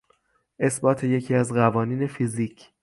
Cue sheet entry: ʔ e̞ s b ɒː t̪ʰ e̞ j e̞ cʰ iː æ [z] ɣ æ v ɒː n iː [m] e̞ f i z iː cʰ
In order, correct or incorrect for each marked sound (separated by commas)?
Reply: correct, incorrect